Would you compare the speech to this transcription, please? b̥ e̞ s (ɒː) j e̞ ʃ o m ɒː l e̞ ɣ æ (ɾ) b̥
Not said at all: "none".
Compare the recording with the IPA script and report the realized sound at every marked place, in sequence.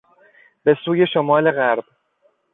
uː, ɾ

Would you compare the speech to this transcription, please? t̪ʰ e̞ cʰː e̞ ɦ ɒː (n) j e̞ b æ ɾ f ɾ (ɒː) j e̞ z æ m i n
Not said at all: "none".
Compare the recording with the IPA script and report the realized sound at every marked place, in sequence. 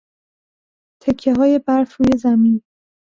none, uː

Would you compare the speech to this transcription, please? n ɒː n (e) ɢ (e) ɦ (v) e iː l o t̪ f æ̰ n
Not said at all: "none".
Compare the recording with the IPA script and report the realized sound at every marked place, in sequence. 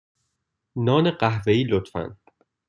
e, æ, v

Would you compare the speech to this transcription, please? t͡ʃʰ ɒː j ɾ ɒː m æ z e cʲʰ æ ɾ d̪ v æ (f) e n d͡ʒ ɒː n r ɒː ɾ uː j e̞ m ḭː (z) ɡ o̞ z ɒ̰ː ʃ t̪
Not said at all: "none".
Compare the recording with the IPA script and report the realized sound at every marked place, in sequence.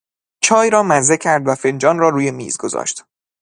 f, z

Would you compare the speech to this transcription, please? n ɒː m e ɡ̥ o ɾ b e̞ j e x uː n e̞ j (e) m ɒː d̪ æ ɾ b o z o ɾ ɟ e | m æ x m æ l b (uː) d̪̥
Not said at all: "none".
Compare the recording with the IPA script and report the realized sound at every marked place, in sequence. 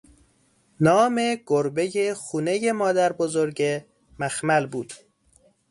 e, uː

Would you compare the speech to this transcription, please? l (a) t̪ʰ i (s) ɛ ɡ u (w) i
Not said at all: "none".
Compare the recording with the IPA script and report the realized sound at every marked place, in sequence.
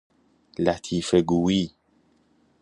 a, f, w

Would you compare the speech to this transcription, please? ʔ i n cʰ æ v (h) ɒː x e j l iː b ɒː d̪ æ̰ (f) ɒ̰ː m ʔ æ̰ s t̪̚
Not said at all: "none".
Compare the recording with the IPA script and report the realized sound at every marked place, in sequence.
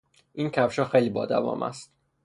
ʃ, v

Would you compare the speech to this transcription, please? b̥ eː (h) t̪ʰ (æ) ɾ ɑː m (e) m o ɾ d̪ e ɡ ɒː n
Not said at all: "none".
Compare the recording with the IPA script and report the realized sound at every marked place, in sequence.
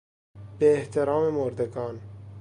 h, e, e

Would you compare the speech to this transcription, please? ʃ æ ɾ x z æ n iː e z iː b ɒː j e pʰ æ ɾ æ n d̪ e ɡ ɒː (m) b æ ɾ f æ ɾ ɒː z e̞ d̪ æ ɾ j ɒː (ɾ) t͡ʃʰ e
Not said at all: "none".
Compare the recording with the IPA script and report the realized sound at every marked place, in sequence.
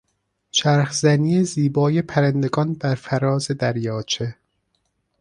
n, none

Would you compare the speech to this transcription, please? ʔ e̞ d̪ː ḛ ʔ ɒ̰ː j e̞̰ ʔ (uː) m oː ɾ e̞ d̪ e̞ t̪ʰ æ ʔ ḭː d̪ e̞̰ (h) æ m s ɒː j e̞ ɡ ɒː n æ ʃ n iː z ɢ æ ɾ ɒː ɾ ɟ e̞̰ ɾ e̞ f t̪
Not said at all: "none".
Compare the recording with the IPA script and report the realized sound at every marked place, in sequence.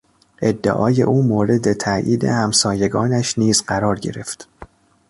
uː, h

